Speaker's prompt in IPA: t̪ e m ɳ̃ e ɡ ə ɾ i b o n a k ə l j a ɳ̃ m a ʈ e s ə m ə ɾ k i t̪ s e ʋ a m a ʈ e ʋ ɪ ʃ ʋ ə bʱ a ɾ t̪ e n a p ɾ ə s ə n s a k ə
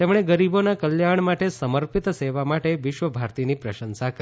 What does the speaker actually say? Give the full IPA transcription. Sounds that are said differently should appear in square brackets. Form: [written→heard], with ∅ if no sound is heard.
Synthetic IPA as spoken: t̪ e m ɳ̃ e ɡ ə ɾ i b o n a k ə l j a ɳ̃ m a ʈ e s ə m ə ɾ [k→p] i t̪ s e ʋ a m a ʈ e ʋ ɪ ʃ ʋ ə bʱ a ɾ t̪ [e→i] n [a→i] p ɾ ə [s→ʃ] ə n s a k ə